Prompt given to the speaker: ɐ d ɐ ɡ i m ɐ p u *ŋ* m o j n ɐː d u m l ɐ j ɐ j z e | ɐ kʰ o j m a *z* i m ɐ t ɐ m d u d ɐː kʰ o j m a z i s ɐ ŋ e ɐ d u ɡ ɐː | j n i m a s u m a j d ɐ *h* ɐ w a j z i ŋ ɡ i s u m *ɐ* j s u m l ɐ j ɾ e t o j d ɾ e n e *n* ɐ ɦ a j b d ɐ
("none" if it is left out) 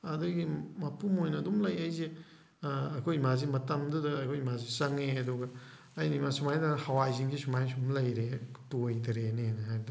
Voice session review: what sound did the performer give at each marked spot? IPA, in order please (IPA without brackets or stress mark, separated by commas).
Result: none, z, h, a, n